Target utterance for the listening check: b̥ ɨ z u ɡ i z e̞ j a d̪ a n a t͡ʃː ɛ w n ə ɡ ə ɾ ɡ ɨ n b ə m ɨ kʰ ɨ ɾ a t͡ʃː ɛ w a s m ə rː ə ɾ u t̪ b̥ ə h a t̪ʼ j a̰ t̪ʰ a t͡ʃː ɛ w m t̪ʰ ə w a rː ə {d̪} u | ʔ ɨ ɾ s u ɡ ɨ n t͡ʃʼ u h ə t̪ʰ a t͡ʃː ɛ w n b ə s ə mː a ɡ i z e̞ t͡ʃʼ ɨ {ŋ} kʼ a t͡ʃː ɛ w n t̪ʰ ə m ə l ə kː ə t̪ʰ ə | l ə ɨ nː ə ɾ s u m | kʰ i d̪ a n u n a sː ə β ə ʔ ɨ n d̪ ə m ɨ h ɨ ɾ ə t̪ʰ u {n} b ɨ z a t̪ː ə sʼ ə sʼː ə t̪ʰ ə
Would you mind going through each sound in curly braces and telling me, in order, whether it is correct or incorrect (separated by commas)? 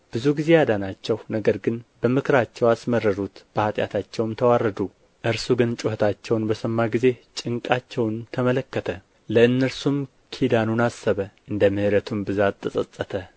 correct, correct, incorrect